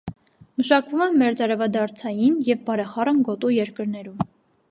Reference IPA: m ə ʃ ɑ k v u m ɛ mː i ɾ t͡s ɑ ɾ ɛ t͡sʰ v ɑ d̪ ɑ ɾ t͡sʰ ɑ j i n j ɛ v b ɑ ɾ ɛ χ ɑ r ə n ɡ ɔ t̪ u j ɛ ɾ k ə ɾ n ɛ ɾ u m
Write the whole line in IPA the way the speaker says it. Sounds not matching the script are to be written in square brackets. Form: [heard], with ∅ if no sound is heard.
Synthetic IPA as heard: m ə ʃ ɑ k v u m ɛ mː [ɛ] ɾ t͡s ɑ ɾ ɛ [∅] v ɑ d̪ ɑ ɾ t͡sʰ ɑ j i n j ɛ v b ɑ ɾ ɛ χ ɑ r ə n ɡ ɔ t̪ u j ɛ ɾ k ə ɾ n ɛ ɾ u m